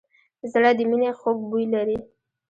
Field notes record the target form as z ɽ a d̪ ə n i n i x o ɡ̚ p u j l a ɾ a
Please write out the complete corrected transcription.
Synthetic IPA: z ɽ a d̪ ə m i n e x o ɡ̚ b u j l a ɾ i

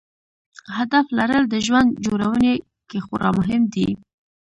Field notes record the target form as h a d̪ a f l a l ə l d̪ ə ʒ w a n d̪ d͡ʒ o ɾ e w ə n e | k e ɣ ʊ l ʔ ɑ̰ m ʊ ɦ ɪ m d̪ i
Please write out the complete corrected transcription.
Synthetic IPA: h a d̪ a f l a ɾ ə l d̪ ə ʒ w a n d̪ d͡ʒ o ɾ a w ə n e | k e x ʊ ɾ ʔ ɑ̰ m ʊ ɦ ɪ m d̪ i

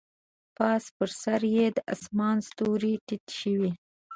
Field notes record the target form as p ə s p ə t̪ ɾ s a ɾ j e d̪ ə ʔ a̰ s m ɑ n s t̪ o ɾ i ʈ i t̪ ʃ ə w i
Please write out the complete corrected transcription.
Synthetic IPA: p ɑ s p ə ɾ s a ɾ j e d̪ ə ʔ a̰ s m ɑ n s t̪ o ɾ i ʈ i t̪ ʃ ə w i

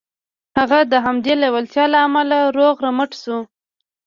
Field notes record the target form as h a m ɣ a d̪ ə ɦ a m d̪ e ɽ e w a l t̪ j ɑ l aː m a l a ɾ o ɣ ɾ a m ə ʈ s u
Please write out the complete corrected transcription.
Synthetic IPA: h a ɣ a d̪ ə ɦ a m d̪ e l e w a l t̪ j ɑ l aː m a l a ɾ o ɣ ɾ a m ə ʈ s u

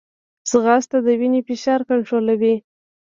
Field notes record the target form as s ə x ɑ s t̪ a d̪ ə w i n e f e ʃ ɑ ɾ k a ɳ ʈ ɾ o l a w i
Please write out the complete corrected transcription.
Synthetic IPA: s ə ɣ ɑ s t̪ a d̪ ə w i n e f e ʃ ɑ ɾ k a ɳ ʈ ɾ o l a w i

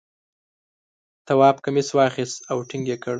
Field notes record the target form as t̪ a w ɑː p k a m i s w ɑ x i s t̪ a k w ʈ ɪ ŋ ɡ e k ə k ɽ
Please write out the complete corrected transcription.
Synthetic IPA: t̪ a w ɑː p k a m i s w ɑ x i s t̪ a w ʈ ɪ ŋ ɡ e k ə ɽ

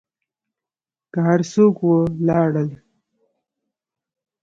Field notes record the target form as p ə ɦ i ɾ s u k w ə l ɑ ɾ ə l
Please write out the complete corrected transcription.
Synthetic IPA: k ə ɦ a ɾ s o k w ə l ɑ ɽ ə l

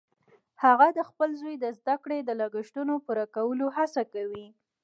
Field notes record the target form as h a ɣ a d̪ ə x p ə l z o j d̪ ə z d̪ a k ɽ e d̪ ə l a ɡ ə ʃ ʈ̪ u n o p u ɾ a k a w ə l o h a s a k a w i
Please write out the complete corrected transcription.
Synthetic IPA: h a ɣ a d̪ ə x p ə l z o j d̪ ə z d̪ a k ɽ e d̪ ə l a ɡ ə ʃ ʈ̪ u n o p u ɾ a k a w ə l o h a s a k a w i

